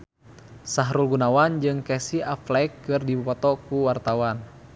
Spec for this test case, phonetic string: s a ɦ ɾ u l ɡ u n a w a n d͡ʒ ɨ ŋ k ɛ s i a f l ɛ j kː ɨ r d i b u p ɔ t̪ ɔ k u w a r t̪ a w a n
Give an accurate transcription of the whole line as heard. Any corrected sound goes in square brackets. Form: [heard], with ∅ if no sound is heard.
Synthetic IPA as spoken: s a ɦ ɾ u l ɡ u n a w a n d͡ʒ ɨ ŋ k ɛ s i a f l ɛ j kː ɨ r d i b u p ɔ t̪ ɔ k u w a r t̪ a w a n